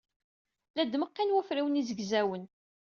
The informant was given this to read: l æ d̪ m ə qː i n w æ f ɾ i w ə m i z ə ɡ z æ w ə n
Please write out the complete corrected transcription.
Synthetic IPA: l æ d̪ m ə qː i n w æ f ɾ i w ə n i z ə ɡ z æ w ə n